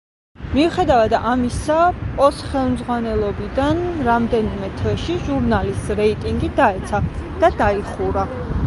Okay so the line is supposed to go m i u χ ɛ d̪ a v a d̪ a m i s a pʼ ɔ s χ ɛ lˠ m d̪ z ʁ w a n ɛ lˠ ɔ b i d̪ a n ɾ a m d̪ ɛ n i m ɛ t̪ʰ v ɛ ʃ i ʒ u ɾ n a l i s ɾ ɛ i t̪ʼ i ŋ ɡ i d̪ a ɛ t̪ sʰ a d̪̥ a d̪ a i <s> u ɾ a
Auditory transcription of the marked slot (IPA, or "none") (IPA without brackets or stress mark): χ